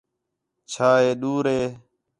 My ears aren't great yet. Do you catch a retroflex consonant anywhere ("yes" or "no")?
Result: no